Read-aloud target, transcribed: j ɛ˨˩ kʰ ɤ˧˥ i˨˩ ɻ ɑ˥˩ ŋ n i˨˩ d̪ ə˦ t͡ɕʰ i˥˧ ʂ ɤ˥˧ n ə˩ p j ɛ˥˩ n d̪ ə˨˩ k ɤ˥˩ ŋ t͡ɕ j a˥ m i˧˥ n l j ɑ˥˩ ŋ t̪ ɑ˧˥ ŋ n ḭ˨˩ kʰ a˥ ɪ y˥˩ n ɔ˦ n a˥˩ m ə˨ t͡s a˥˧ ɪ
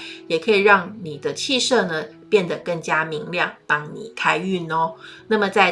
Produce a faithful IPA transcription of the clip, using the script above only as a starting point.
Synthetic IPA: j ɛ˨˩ kʰ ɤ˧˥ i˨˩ ɻ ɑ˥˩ ŋ n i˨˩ d̪ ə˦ t͡ɕʰ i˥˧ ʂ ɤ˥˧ n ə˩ p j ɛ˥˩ n d̪ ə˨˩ k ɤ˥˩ ŋ t͡ɕ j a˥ m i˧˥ ŋ l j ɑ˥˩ ŋ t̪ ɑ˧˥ ŋ n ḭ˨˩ kʰ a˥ ɪ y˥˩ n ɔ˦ n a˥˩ m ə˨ t͡s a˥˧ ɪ